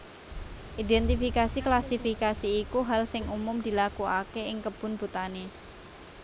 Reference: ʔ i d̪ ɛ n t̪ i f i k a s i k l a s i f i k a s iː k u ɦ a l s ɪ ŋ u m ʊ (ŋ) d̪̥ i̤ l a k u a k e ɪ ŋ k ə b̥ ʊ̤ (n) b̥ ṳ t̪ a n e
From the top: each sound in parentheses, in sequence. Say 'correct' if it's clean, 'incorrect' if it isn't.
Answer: incorrect, correct

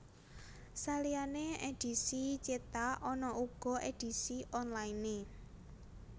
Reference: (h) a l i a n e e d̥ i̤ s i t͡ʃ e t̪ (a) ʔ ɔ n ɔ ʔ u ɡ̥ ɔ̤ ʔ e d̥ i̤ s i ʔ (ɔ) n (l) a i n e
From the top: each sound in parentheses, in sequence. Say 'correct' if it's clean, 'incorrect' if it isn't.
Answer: incorrect, correct, correct, correct

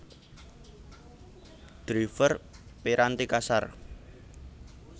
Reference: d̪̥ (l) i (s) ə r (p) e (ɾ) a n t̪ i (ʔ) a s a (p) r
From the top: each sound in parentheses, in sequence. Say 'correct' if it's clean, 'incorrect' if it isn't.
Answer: incorrect, incorrect, correct, correct, incorrect, incorrect

